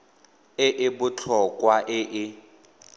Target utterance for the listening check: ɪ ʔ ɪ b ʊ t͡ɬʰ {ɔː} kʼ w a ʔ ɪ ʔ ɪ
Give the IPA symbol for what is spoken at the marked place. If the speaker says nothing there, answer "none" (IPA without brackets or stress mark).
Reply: ɔ